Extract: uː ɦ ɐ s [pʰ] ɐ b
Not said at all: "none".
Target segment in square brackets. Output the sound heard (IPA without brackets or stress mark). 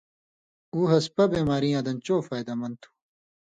p